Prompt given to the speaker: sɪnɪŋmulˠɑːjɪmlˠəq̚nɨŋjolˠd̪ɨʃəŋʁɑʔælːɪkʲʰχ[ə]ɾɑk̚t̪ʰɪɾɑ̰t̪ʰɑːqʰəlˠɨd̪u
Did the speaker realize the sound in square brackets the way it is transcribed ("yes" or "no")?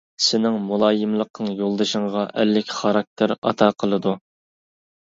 no